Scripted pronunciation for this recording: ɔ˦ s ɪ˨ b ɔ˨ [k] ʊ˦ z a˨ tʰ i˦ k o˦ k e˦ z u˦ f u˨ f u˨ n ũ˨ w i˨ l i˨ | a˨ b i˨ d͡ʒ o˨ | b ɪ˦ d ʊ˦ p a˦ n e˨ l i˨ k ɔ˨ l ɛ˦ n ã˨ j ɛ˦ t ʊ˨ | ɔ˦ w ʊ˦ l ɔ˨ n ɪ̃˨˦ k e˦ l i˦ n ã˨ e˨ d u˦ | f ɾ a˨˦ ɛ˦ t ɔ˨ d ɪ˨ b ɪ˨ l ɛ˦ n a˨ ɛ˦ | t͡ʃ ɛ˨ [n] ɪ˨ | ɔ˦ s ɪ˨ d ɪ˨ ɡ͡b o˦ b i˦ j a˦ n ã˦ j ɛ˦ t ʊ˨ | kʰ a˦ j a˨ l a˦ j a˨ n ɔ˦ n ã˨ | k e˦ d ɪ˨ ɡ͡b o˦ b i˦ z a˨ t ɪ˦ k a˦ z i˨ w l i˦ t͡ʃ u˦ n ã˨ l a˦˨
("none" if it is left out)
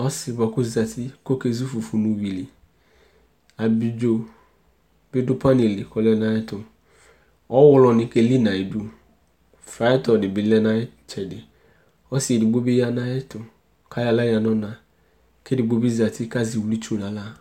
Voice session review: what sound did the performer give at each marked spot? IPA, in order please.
k, d

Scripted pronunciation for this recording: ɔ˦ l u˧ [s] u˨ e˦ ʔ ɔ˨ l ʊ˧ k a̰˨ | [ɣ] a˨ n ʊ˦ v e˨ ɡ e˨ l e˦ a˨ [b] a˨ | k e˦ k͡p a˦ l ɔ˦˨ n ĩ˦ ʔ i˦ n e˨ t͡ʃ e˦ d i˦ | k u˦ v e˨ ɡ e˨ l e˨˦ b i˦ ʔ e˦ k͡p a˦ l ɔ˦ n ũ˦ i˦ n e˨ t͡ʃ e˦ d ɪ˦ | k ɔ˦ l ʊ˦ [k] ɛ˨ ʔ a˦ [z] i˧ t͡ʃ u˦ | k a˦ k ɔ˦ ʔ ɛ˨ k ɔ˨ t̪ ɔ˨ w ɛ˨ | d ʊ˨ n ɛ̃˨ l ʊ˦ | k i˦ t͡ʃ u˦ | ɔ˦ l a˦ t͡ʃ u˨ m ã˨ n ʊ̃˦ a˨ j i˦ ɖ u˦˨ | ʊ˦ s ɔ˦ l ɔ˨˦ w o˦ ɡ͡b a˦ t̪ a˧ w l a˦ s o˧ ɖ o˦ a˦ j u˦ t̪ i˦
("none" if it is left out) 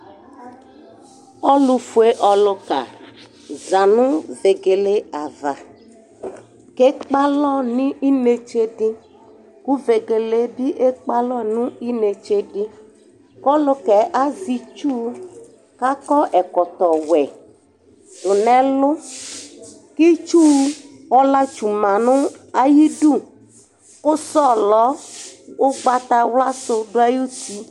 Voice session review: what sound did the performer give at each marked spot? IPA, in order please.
f, z, v, k, z

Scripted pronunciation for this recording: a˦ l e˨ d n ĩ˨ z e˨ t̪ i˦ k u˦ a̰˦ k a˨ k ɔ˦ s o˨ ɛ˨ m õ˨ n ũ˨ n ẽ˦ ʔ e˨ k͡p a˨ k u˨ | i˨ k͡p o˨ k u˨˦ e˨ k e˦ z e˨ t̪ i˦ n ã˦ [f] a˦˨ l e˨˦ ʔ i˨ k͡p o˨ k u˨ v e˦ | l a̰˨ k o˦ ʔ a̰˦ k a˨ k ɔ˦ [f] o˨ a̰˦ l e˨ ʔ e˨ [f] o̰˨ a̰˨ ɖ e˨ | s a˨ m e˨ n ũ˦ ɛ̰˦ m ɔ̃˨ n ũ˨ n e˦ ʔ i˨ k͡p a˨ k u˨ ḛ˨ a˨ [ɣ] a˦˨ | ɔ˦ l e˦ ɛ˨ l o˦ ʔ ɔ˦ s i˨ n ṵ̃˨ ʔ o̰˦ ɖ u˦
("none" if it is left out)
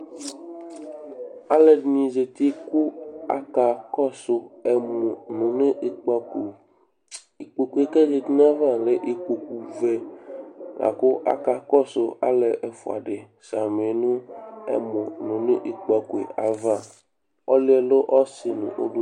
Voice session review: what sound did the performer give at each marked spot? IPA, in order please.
v, s, f, v

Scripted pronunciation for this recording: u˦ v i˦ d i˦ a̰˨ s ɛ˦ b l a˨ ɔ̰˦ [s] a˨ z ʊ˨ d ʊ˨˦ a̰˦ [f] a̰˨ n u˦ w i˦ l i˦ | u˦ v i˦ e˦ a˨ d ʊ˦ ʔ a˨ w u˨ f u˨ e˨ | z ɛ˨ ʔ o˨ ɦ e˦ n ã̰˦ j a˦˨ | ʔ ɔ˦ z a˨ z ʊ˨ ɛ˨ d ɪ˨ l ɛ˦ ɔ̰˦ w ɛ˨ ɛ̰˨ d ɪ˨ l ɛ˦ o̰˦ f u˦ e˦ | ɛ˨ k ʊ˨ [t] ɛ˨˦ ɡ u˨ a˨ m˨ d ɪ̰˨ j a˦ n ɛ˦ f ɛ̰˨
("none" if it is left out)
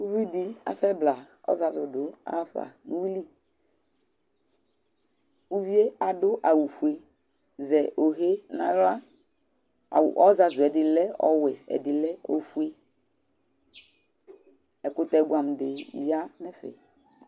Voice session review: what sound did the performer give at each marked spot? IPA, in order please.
z, f, t

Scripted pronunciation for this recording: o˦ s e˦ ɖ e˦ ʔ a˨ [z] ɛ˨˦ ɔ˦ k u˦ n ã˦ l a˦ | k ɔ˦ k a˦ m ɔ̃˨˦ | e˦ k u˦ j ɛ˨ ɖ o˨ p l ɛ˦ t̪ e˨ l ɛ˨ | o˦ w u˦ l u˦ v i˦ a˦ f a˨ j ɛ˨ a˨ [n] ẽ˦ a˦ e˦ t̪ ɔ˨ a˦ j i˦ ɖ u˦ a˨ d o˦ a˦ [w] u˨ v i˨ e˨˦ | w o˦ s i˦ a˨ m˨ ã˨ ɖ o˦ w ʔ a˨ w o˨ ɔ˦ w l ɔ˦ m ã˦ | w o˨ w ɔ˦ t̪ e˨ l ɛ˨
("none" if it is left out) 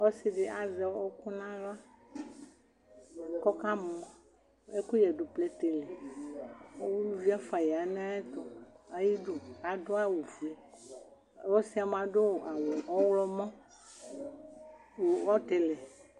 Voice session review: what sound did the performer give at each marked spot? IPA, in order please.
z, n, w

